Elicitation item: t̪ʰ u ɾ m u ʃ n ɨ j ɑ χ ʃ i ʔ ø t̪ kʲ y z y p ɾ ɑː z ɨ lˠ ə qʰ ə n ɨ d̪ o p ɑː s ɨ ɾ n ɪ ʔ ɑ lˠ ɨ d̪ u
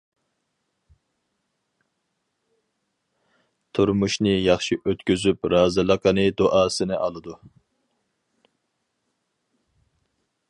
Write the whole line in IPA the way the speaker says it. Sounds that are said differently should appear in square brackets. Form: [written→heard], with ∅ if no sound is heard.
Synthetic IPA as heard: t̪ʰ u ɾ m u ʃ n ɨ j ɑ χ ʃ i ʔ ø t̪ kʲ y z y p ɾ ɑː z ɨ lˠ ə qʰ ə n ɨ d̪ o [p→ʔ] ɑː s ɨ [ɾ→∅] n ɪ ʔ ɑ lˠ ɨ d̪ u